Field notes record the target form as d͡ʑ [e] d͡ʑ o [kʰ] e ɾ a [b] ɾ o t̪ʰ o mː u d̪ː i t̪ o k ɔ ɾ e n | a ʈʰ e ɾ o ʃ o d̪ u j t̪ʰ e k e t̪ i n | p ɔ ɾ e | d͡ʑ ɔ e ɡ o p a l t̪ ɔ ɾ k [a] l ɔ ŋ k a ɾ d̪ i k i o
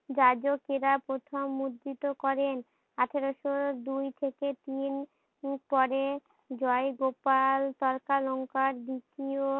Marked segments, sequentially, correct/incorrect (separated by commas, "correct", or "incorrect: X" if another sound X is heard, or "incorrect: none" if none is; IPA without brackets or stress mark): incorrect: a, incorrect: k, incorrect: p, correct